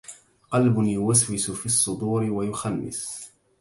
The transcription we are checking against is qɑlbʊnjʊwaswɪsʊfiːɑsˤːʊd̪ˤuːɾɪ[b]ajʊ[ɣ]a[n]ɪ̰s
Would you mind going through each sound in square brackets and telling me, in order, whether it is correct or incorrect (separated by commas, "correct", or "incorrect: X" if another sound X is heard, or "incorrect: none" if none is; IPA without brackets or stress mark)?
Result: incorrect: w, incorrect: x, incorrect: nː